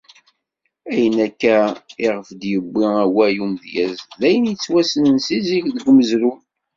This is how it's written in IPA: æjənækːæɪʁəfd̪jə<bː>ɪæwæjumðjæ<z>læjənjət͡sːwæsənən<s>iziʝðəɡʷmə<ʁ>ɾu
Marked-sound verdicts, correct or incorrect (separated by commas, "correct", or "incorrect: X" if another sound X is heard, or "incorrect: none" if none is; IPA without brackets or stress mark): correct, correct, correct, incorrect: z